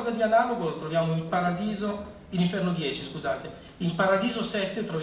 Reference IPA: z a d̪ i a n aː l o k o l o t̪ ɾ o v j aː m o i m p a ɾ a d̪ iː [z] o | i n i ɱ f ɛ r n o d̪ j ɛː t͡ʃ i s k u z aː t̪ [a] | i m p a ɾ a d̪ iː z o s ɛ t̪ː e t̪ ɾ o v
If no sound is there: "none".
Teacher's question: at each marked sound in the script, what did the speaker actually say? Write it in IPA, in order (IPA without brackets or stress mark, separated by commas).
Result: z, e